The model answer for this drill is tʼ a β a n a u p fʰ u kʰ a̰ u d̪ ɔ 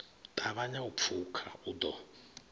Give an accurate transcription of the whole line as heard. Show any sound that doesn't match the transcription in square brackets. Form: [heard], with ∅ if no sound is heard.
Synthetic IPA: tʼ a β a [ɲ] a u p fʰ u kʰ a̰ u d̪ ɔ